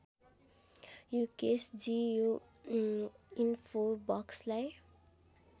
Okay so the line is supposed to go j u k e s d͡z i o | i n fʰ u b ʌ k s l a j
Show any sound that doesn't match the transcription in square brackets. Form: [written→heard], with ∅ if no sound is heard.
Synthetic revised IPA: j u k e s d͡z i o | i n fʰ [u→o] b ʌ k s l a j